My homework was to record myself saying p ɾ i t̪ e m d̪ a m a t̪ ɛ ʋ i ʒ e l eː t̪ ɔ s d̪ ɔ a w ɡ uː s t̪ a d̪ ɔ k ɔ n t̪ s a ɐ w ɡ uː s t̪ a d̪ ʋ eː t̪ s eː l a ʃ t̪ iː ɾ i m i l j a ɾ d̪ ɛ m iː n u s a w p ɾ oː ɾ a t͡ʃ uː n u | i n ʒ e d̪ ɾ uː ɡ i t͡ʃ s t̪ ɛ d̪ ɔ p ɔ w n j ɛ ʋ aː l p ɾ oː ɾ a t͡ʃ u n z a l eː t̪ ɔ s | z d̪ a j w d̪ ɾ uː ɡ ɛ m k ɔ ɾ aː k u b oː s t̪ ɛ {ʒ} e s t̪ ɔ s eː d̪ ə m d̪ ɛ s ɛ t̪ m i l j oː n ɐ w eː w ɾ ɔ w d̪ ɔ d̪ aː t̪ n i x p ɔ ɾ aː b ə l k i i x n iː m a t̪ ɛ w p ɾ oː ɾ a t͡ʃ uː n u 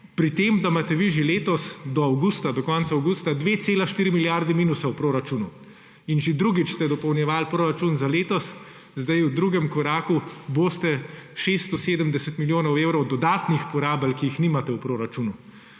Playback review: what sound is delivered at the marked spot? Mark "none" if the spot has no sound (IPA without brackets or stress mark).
ʃ